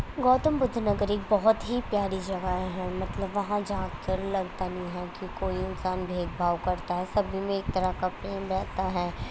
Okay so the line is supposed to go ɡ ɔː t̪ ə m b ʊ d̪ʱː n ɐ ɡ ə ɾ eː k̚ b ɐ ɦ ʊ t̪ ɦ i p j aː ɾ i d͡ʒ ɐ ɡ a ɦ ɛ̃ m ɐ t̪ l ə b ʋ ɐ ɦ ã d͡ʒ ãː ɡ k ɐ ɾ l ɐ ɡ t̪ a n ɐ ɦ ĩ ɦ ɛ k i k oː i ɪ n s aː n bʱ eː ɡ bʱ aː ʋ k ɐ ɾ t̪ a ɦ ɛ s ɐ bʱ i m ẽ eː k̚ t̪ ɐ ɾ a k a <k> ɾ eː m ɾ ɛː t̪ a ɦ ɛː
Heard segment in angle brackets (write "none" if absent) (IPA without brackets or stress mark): p